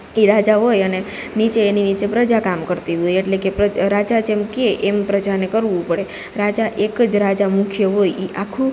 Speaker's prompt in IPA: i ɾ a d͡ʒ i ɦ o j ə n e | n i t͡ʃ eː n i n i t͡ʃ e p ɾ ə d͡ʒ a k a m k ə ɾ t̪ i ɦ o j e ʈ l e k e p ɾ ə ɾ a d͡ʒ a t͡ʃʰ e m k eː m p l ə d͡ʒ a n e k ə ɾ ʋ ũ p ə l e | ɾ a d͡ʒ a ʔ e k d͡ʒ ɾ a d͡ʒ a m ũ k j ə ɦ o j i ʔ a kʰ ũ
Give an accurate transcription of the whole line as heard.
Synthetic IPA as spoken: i ɾ a d͡ʒ a ɦ o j ə n e | n i t͡ʃ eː n i n i t͡ʃ e p ɾ ə d͡ʒ a k a m k ə ɾ t̪ i ɦ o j e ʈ l e k e p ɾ ə ɾ a d͡ʒ a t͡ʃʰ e m k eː m p ɾ ə d͡ʒ a n e k ə ɾ ʋ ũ p ə ɽ e | ɾ a d͡ʒ a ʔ e k d͡ʒ ɾ a d͡ʒ a m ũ kʰ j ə ɦ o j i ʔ a kʰ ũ